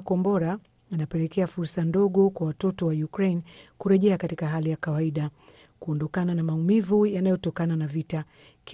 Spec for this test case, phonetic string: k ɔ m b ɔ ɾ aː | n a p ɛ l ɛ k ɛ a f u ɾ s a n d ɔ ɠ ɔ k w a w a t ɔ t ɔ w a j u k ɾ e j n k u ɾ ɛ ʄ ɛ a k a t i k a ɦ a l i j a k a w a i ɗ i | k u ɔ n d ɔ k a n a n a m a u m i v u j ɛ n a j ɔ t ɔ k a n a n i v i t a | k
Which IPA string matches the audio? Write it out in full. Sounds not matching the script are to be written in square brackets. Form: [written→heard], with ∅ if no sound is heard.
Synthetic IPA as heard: k ɔ m b ɔ ɾ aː | n a p ɛ l ɛ k ɛ a f u ɾ s a n d ɔ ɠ ɔ k w a w a t ɔ t ɔ w a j u k ɾ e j n k u ɾ ɛ ʄ ɛ a k a t i k a ɦ a l i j a k a w a i ɗ [i→a] | k u ɔ n d ɔ k a n a n a m a u m i v u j [ɛ→a] n a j ɔ t ɔ k a n a n [i→a] v i t a | k